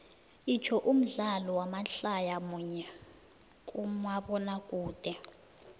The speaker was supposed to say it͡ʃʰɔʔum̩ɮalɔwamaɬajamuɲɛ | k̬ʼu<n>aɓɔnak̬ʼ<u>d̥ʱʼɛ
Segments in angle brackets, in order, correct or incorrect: incorrect, incorrect

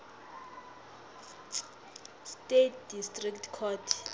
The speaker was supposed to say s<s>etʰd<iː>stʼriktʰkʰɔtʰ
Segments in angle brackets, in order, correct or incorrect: incorrect, incorrect

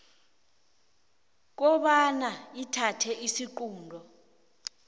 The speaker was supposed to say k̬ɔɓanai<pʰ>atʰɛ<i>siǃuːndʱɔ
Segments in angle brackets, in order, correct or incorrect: incorrect, correct

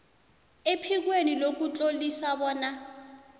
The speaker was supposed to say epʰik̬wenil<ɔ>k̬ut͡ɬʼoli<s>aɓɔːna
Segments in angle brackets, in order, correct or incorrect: incorrect, correct

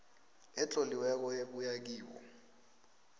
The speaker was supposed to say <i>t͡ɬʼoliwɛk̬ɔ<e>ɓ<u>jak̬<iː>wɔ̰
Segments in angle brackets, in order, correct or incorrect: incorrect, correct, correct, correct

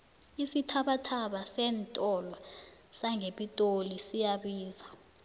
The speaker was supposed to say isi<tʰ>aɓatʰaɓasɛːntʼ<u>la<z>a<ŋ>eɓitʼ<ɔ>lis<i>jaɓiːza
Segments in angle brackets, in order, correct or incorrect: correct, incorrect, incorrect, correct, incorrect, correct

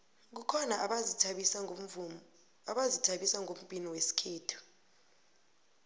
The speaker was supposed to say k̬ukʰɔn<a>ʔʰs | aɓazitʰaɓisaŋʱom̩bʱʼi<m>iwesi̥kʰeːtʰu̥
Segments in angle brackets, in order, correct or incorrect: correct, incorrect

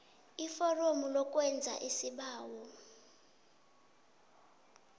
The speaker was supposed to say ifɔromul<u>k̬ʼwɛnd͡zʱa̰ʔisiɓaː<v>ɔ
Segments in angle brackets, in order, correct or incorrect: incorrect, incorrect

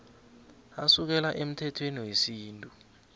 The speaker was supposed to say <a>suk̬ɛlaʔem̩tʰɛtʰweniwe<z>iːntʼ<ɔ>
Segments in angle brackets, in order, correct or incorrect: correct, incorrect, incorrect

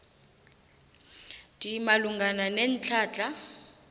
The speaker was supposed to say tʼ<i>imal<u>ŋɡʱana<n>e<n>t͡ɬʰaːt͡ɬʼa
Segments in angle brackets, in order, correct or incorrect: correct, correct, correct, correct

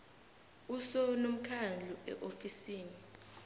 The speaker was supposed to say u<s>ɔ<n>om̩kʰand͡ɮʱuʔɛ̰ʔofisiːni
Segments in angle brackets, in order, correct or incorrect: correct, correct

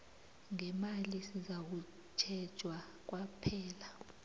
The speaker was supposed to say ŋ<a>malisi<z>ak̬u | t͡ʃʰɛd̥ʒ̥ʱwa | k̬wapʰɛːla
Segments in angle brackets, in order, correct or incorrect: incorrect, correct

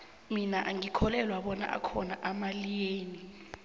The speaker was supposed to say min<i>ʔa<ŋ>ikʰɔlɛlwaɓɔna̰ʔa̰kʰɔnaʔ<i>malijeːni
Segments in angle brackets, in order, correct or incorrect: incorrect, correct, incorrect

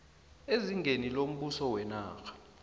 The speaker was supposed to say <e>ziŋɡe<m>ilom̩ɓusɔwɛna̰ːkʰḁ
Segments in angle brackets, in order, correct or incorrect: correct, incorrect

